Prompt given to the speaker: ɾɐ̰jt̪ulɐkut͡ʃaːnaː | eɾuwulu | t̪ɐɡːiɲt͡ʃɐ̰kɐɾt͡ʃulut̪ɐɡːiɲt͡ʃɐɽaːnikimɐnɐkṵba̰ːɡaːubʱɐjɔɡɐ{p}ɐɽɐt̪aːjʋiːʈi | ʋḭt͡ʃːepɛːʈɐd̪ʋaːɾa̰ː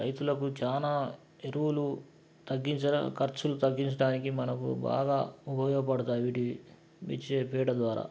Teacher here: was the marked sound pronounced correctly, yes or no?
yes